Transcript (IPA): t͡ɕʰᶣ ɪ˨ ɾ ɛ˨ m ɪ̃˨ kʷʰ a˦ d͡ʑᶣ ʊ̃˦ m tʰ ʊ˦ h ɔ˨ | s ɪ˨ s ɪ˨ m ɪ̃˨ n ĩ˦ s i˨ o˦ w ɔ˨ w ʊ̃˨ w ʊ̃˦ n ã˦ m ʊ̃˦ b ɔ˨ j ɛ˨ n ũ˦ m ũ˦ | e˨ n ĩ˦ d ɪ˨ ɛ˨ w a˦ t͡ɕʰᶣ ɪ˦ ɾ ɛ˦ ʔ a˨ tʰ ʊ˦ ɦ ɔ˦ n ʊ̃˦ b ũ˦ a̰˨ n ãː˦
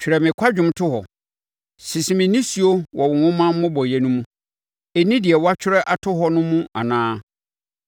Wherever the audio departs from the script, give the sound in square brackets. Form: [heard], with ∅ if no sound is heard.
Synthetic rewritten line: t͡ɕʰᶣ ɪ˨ ɾ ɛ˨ m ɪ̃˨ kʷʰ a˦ d͡ʑᶣ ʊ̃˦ m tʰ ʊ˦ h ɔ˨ | s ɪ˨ s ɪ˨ m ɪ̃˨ n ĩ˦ s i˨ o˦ w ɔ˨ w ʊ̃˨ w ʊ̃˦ [m] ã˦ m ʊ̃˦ b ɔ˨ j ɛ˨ n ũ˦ m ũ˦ | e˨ n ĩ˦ d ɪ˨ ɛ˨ w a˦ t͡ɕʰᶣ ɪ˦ ɾ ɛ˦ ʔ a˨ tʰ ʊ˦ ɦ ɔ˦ n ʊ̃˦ [m] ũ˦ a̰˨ n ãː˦